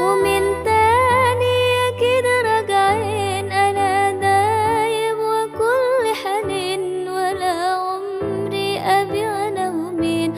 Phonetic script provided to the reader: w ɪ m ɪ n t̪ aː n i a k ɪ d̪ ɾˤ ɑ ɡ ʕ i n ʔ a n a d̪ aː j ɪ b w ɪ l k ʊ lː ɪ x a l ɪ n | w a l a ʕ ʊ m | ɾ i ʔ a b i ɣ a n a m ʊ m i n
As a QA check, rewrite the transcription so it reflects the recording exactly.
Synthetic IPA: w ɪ m ɪ n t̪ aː n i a k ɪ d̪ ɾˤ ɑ ɡ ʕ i n ʔ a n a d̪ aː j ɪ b w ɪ k ʊ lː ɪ ħ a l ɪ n | w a l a ʕ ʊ m | ɾ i ʔ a b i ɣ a n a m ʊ m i n